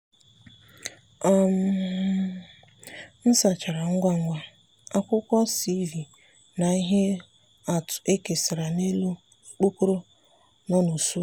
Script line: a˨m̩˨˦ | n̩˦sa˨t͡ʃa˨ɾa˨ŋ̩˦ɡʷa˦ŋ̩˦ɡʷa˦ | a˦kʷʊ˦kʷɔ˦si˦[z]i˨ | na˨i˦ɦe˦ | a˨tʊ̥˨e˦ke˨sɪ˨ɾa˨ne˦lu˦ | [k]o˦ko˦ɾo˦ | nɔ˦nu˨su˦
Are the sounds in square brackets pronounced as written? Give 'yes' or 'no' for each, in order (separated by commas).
no, no